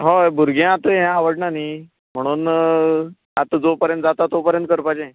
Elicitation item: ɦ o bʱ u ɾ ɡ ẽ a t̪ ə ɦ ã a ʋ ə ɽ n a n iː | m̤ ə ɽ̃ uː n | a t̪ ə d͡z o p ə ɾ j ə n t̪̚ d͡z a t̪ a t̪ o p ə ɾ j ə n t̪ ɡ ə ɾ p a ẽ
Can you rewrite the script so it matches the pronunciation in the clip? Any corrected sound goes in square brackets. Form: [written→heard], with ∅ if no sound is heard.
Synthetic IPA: ɦ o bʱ u ɾ ɡ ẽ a t̪ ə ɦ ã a ʋ ə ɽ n a n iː | m̤ ə ɽ̃ uː n | a t̪ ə d͡z o p ə ɾ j ə n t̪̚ d͡z a t̪ a t̪ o p ə ɾ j ə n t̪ [ɡ→k] ə ɾ p a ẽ